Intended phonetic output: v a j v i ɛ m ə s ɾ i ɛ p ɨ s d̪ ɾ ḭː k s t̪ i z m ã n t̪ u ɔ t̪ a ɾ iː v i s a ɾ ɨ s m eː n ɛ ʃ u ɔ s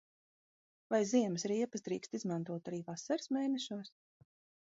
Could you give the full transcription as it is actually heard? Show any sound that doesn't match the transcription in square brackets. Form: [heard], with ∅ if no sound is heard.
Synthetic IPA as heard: v a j [z] i ɛ m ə s ɾ i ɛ p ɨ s d̪ ɾ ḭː k s t̪ i z m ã n t̪ u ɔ t̪ a ɾ iː v [a] s a ɾ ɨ s m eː n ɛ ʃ u ɔ s